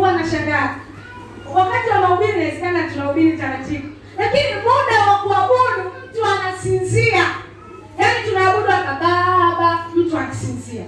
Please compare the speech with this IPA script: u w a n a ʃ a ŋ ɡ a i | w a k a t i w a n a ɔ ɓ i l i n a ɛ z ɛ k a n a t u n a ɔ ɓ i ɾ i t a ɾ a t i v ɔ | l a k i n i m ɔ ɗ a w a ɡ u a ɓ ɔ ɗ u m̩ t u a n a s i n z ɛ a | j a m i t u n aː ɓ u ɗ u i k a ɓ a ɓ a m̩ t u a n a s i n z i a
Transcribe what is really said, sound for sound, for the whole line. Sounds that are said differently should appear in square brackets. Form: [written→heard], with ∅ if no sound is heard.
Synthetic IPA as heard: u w a n a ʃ a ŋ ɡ a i | w a k a t i w a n a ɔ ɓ i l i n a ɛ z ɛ k a n a t u n a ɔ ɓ i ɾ i t a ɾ a t i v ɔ | l a k i n i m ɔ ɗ a w a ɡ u a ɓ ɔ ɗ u m̩ t u a n a s i n z [ɛ→i] a | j a [m→n] i t u n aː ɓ u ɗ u [i→a] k a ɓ a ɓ a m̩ t u a n a s i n z i a